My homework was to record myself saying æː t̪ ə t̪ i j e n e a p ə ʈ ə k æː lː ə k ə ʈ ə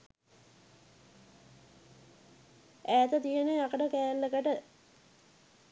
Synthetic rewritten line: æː t̪ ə t̪ i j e n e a k ə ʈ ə k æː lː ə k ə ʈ ə